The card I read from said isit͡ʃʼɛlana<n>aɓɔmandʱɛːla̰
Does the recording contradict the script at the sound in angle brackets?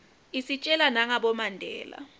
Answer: yes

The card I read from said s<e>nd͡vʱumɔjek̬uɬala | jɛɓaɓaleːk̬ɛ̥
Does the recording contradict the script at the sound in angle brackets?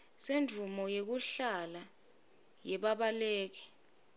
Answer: no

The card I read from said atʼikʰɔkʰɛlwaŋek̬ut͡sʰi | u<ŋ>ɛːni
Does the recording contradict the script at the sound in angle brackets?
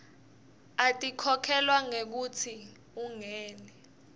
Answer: no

